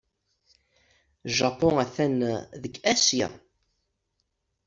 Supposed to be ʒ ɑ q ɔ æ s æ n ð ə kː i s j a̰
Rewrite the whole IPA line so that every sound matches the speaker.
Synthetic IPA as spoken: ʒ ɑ p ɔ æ θ æ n ð ə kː æ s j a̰